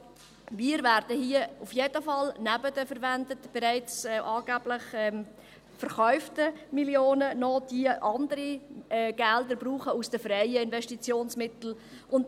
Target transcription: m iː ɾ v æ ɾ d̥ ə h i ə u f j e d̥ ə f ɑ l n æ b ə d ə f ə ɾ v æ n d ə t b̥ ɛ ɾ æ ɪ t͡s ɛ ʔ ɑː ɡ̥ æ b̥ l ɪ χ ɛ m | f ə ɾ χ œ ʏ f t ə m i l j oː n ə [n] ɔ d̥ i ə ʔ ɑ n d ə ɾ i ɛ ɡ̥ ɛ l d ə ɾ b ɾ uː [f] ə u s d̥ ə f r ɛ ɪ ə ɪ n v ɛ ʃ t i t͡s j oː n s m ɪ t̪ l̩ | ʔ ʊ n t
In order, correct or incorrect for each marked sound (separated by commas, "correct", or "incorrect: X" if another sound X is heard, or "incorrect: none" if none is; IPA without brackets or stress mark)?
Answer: correct, incorrect: χ